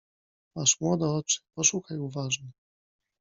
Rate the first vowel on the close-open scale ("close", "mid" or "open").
open